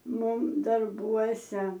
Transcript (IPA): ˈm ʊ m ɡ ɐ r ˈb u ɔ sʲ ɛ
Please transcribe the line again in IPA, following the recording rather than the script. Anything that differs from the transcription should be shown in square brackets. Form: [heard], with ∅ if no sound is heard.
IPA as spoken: ˈm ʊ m [d] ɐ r ˈb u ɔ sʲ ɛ